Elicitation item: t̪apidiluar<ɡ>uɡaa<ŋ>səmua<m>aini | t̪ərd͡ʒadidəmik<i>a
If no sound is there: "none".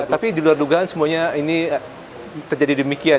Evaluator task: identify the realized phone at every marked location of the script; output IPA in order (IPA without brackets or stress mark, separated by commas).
d, n, ɲ, i